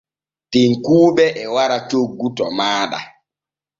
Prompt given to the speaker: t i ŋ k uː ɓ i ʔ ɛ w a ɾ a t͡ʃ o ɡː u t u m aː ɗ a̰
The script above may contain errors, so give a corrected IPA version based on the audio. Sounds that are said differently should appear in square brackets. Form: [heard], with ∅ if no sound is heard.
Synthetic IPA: t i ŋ k uː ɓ [ɛ] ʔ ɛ w a ɾ a t͡ʃ o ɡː u t [ɔ] m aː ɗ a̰